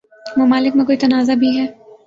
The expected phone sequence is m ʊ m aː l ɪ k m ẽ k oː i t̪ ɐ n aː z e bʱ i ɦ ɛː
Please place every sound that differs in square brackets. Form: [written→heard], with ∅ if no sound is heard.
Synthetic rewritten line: m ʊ m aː l ɪ k m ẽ k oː i t̪ ɐ n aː z [e→a] bʱ i ɦ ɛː